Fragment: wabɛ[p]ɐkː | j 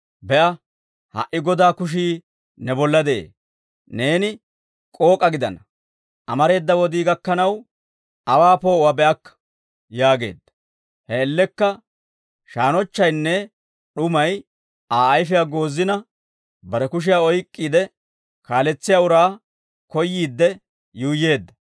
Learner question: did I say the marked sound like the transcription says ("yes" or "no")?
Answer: no